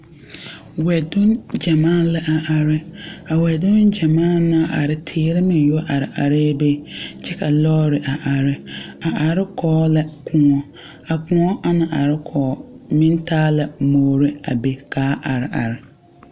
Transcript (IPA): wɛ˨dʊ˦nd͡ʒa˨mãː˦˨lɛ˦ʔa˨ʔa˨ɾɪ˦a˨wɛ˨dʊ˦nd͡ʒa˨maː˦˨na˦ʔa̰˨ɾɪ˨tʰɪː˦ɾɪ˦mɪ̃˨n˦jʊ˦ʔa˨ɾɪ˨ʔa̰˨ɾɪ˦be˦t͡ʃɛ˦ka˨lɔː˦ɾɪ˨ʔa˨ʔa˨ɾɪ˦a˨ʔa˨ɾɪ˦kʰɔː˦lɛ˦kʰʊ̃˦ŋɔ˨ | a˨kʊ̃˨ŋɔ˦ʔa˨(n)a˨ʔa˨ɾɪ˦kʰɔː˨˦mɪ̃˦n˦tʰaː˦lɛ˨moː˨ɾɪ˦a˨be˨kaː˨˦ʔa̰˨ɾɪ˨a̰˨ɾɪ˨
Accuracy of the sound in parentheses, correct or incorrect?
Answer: correct